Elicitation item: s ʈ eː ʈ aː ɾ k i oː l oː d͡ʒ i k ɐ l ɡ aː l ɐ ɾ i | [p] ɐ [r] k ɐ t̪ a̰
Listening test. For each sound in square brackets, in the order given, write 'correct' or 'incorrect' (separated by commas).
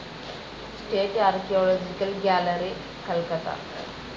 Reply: incorrect, incorrect